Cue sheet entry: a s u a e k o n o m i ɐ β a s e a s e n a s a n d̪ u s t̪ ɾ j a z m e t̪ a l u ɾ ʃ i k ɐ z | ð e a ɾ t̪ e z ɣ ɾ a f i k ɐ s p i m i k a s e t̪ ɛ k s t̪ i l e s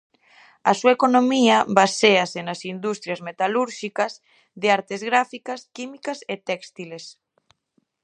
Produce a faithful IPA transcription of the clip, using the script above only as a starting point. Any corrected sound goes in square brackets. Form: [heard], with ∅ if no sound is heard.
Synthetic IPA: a s u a e k o n o m i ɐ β a s e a s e n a s [i] n d̪ u s t̪ ɾ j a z m e t̪ a l u ɾ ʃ i k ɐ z | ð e a ɾ t̪ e z ɣ ɾ a f i k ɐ s [k] i m i k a s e t̪ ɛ k s t̪ i l e s